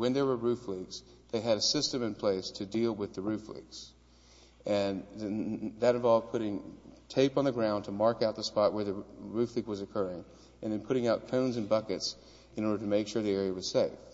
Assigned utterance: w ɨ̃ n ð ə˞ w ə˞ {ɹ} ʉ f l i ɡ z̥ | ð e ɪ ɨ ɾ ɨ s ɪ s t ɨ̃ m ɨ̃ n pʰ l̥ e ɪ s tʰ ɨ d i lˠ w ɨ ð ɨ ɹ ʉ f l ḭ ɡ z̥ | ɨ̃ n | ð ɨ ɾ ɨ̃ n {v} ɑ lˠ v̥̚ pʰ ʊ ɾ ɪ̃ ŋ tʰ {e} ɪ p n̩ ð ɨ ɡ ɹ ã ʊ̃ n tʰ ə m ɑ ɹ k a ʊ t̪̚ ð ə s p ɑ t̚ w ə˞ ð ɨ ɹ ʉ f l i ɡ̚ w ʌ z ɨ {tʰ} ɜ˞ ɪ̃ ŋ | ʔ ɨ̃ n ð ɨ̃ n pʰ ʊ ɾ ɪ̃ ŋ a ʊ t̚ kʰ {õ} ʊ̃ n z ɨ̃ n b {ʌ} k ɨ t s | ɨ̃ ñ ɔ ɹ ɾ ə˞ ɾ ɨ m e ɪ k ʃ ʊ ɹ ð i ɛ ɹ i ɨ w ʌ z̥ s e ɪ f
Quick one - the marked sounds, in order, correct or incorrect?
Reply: correct, correct, correct, incorrect, correct, correct

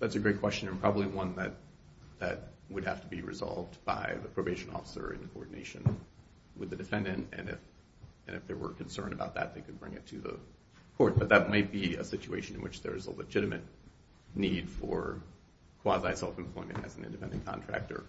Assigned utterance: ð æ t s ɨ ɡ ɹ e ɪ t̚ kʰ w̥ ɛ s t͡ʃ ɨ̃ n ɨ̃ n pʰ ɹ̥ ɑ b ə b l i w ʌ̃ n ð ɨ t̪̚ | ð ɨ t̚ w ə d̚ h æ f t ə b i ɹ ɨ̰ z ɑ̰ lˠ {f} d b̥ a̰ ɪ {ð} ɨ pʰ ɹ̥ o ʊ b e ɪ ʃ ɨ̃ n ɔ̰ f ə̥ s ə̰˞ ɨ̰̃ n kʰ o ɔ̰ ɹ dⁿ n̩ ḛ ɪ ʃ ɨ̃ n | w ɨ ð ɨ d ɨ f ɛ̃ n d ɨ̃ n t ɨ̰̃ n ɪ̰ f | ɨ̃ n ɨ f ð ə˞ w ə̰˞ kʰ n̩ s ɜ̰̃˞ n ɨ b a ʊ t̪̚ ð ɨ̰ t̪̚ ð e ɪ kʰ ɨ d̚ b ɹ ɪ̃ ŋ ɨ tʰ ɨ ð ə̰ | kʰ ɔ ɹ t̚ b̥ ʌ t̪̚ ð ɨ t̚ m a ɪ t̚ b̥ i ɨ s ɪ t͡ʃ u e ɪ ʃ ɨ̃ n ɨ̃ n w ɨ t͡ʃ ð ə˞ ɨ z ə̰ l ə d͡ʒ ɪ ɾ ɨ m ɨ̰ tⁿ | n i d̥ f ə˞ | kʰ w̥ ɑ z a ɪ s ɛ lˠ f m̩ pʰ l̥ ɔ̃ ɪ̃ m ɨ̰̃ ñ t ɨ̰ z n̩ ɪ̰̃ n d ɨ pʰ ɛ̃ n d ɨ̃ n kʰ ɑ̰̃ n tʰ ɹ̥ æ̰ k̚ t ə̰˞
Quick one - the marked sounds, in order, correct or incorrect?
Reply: incorrect, correct

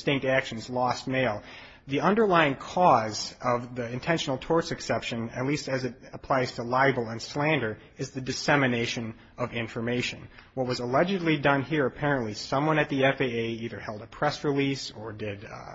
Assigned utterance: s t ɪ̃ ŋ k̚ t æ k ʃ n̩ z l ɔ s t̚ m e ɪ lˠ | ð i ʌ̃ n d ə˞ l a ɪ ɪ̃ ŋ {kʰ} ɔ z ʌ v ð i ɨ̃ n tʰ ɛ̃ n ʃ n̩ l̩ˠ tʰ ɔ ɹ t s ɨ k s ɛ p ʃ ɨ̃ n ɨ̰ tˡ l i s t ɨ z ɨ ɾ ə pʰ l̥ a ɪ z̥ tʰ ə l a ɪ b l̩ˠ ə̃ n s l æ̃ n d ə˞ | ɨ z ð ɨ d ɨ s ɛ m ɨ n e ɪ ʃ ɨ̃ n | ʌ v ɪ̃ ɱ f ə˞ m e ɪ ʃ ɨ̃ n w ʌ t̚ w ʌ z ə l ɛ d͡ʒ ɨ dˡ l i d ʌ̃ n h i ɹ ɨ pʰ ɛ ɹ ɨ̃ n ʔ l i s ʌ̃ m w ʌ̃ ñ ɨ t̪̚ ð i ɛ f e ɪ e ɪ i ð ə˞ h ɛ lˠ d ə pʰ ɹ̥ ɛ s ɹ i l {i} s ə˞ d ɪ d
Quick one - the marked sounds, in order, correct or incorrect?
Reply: correct, correct

